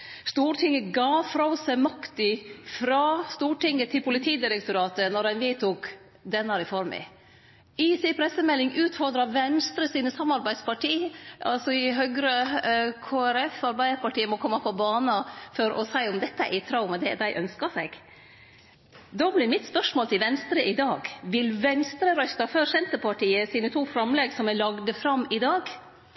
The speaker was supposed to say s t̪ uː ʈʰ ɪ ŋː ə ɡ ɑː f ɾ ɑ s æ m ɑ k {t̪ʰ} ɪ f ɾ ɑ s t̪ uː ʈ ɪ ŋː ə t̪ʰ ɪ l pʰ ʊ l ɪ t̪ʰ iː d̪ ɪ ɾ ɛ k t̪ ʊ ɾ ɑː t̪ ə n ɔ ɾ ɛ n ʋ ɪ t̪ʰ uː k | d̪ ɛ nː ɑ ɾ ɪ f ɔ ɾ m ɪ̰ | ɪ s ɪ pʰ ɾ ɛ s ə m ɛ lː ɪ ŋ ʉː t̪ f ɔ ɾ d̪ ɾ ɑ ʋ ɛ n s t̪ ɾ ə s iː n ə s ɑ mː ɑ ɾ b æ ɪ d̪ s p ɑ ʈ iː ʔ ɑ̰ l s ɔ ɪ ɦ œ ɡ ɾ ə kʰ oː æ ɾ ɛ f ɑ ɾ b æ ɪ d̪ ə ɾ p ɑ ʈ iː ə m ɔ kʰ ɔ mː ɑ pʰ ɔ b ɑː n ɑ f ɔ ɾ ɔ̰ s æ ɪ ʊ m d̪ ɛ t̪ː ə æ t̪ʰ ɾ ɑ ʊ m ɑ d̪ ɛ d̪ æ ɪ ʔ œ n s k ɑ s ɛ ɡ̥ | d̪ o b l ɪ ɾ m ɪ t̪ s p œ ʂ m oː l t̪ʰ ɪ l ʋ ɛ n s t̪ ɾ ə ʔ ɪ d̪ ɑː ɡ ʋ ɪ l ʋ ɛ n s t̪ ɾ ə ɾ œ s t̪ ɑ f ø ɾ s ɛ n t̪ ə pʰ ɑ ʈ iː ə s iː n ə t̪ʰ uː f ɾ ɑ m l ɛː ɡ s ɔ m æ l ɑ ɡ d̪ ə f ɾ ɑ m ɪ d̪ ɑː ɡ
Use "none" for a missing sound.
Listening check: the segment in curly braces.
t̪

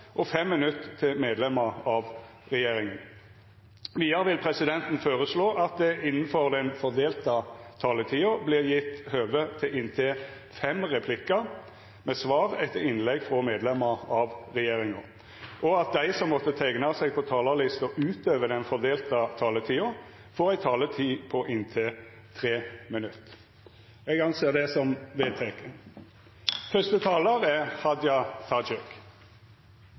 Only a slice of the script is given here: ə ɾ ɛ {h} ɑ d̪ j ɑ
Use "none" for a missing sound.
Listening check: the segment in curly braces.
h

